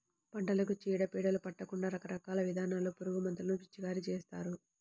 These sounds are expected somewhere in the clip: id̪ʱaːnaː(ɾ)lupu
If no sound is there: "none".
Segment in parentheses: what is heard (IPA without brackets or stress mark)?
none